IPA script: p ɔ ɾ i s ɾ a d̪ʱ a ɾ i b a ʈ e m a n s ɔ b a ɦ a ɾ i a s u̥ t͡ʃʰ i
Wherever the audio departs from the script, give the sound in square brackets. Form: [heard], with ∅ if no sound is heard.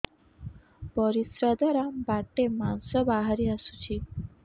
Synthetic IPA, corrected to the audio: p ɔ ɾ i s ɾ a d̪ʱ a ɾ [a] b a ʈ e m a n s ɔ b a ɦ a ɾ i a s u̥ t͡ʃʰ i